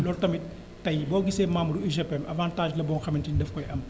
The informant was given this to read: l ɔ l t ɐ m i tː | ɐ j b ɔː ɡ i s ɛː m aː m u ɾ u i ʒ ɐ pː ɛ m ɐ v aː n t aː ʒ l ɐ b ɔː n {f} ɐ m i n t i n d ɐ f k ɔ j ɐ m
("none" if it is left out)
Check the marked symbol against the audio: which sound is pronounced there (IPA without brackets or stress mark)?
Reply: x